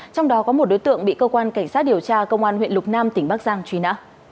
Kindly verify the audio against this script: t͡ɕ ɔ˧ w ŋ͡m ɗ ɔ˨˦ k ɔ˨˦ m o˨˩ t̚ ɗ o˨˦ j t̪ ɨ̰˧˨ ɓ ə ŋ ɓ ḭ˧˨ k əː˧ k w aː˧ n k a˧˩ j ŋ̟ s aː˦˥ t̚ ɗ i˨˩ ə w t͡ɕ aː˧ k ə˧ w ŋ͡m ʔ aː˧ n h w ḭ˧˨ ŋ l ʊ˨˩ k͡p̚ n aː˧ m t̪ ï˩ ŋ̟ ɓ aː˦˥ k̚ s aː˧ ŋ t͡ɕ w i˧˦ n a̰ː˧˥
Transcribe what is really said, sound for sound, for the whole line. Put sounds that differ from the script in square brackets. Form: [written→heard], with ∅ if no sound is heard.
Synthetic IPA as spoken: t͡ɕ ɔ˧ w ŋ͡m ɗ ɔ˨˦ k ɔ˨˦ m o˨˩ t̚ ɗ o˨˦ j t̪ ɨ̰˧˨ [ɓ→∅] ə ŋ ɓ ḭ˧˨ k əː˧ k w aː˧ n k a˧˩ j ŋ̟ s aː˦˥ t̚ ɗ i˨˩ ə w t͡ɕ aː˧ k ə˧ w ŋ͡m ʔ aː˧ n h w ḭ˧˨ [ŋ→n] l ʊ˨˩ k͡p̚ n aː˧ m t̪ ï˩ ŋ̟ ɓ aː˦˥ k̚ [s→z] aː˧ ŋ t͡ɕ w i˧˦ n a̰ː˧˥